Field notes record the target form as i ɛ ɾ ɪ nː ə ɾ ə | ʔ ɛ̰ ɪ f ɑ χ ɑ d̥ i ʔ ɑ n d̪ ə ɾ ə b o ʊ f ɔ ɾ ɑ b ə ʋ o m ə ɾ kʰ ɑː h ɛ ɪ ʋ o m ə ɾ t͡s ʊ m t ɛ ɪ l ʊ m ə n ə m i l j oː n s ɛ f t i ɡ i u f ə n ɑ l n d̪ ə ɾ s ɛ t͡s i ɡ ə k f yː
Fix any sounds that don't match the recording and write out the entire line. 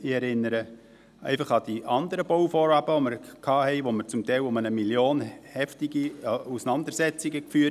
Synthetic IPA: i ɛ ɾ ɪ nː ə ɾ ə | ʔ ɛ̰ ɪ f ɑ χ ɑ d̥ i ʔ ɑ n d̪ ə ɾ ə b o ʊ f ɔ ɾ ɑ b ə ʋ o m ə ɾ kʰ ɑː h ɛ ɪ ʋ o m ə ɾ t͡s ʊ m t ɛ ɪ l ʊ m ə n ə m i l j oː n h ɛ f t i ɡ i u s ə n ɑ n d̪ ə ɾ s ɛ t͡s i ɡ ə k f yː